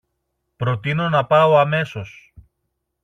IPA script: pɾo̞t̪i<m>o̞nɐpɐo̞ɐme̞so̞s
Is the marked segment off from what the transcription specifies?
yes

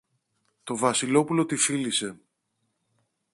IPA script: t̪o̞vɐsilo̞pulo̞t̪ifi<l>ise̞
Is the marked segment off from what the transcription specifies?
no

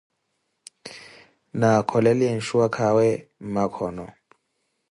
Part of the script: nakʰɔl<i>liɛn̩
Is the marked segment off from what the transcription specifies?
yes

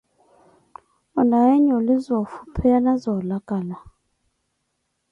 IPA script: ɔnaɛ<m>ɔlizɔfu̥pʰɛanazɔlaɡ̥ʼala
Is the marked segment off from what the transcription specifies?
yes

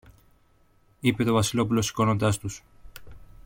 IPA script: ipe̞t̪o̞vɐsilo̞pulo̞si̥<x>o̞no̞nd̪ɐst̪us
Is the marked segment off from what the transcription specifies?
yes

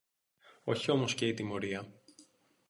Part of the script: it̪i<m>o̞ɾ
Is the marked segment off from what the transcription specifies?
no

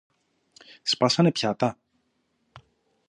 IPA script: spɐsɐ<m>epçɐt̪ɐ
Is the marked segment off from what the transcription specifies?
yes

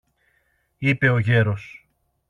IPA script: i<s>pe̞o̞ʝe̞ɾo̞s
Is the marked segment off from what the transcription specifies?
yes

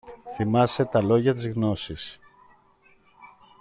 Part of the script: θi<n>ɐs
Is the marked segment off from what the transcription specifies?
yes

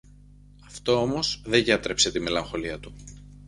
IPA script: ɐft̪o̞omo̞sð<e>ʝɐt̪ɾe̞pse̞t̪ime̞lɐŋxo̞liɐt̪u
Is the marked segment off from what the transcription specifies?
no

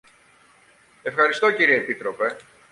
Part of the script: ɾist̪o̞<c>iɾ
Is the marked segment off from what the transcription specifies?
no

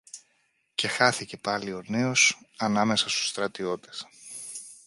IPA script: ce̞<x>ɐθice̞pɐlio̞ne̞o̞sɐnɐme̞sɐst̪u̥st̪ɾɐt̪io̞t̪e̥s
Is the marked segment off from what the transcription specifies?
no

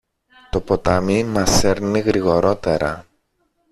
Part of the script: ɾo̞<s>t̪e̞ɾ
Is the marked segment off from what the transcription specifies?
yes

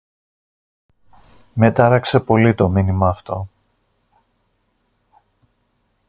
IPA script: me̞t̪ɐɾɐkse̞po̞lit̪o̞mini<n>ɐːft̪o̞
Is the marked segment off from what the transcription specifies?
yes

